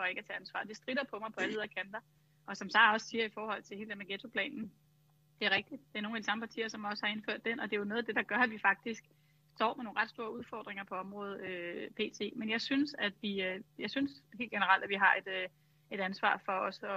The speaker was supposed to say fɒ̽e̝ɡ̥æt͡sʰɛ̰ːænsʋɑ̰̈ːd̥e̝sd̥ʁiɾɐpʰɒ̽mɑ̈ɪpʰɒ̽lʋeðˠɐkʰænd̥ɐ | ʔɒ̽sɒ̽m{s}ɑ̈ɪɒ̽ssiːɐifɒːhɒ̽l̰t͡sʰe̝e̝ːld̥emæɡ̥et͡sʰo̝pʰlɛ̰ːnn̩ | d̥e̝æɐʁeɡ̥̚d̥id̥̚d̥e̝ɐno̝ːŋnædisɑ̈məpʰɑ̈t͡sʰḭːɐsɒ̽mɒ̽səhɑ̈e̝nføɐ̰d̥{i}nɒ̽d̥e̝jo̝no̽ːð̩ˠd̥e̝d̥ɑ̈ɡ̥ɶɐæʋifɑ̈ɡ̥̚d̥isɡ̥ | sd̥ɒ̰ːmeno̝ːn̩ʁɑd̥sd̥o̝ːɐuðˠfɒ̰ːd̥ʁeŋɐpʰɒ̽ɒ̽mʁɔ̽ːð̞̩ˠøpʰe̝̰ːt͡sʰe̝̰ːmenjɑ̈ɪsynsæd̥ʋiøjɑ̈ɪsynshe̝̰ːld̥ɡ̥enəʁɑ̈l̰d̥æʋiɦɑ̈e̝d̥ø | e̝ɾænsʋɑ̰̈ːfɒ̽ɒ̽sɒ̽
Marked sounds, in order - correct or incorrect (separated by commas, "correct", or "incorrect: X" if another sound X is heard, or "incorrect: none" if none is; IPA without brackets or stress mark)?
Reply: correct, incorrect: e